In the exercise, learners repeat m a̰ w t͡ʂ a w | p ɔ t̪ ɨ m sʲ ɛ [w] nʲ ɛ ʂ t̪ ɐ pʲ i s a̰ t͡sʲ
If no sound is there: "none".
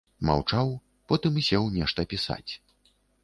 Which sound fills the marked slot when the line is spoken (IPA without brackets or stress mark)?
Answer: w